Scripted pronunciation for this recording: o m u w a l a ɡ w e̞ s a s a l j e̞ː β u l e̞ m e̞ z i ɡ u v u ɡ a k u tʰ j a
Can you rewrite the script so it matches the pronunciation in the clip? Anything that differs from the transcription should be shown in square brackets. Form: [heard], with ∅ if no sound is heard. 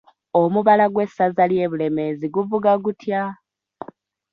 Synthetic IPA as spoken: o m u [β] a l a ɡ w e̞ s a [z] a l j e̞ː β u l e̞ m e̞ z i ɡ u v u ɡ a [ɡ] u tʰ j a